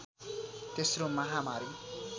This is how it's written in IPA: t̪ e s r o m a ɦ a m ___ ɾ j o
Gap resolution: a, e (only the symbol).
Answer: a